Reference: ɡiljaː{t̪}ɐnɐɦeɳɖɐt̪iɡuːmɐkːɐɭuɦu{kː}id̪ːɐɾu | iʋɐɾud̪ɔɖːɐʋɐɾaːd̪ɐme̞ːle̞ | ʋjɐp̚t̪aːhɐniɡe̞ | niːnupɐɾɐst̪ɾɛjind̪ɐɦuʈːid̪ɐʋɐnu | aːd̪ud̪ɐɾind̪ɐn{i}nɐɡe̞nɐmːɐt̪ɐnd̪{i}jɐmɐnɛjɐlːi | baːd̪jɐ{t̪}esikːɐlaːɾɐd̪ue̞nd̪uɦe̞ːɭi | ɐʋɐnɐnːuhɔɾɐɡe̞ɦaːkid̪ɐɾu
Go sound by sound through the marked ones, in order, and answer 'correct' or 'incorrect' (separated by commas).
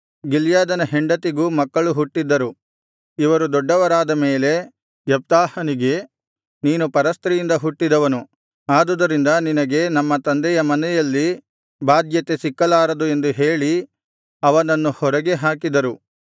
incorrect, incorrect, correct, incorrect, correct